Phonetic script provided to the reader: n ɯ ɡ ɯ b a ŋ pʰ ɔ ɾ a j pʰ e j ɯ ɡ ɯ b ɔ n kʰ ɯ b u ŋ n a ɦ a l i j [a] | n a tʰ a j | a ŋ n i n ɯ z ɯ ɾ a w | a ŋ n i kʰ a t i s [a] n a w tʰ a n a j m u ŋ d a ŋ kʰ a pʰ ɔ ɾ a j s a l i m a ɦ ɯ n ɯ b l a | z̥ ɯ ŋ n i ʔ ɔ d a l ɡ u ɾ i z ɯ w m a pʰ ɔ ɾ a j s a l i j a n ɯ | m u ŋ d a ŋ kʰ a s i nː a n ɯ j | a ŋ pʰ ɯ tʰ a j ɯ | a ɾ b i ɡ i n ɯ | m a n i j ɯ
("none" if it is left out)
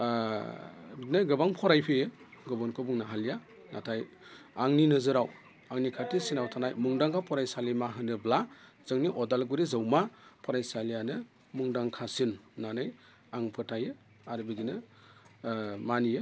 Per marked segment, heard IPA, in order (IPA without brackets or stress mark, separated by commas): a, i